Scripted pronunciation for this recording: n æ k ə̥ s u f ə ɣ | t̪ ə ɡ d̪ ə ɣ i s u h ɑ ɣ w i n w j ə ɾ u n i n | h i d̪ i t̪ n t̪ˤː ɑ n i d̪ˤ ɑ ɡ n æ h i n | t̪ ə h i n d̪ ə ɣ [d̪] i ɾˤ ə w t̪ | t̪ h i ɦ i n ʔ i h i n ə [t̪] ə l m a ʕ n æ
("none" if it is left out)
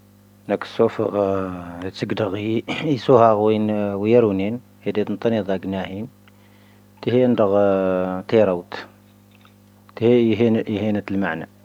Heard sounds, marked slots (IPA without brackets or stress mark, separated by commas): t̪, t̪